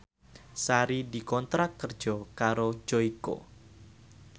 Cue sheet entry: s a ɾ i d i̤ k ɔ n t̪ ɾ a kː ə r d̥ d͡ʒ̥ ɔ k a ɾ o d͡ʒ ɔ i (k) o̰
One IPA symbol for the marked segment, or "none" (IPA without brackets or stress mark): k